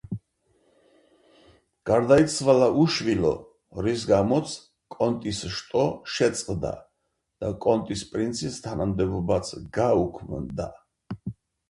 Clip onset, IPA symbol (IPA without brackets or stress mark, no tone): ɡ̥